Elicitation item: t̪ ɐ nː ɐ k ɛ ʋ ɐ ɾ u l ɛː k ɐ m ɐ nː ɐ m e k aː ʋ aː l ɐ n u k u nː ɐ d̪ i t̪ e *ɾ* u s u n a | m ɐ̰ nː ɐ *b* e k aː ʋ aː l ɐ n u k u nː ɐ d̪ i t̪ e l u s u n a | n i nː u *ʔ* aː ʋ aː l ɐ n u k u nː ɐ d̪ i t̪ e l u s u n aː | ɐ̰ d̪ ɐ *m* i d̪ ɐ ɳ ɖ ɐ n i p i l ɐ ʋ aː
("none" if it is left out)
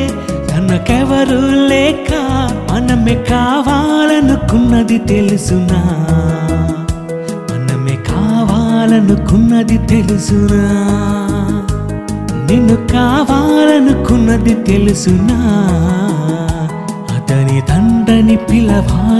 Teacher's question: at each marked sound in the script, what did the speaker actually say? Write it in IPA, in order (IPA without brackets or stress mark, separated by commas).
l, m, k, n